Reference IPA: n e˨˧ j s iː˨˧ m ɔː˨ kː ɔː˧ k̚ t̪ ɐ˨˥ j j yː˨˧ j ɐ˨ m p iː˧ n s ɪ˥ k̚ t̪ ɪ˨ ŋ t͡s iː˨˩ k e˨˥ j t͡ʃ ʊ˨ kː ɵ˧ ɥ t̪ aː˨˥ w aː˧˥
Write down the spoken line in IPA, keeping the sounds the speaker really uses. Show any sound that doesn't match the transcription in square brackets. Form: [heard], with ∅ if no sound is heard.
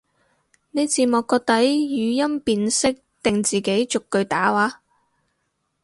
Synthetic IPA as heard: n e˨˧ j [t͡s] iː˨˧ m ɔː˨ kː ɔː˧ k̚ t̪ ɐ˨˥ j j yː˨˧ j [ɐ˥] m p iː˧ n s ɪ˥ k̚ t̪ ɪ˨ ŋ t͡s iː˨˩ k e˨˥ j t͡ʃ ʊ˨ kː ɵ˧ ɥ t̪ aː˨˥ w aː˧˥